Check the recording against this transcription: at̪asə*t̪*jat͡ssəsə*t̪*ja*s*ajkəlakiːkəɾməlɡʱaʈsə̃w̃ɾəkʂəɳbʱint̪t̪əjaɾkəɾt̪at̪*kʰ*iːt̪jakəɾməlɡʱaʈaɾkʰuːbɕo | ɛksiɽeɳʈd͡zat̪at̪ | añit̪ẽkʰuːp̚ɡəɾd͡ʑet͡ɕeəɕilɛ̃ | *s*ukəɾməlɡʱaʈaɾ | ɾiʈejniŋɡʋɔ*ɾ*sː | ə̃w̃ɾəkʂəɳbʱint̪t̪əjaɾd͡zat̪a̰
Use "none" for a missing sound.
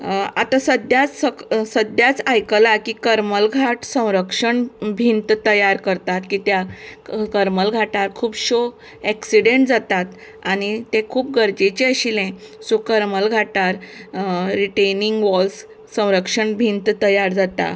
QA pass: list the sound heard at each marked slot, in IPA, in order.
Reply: d̪, d̪, t͡s, k, s, l

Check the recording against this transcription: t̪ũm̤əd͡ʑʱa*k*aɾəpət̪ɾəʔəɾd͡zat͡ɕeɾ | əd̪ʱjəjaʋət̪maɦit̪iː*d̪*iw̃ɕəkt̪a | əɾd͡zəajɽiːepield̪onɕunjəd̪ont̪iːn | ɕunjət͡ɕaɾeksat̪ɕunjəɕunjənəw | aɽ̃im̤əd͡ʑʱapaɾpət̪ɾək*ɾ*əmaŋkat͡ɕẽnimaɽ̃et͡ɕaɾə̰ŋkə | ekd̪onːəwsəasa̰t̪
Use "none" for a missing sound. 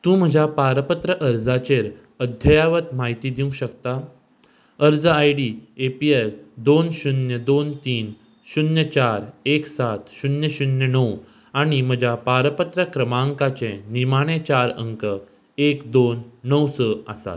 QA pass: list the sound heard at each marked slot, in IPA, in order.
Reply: p, d̪, ɾ

